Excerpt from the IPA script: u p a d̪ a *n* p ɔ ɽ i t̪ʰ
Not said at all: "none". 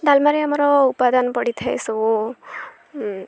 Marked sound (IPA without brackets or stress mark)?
n